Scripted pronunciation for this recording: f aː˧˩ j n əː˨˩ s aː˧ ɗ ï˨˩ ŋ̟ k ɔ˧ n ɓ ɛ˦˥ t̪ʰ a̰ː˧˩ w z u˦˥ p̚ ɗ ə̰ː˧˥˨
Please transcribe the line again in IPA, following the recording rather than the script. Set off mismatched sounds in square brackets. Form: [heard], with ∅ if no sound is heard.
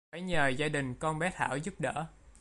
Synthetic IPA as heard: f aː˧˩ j [ɲ] əː˨˩ [z] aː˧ ɗ ï˨˩ ŋ̟ k ɔ˧ n ɓ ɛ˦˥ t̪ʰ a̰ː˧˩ w z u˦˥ p̚ ɗ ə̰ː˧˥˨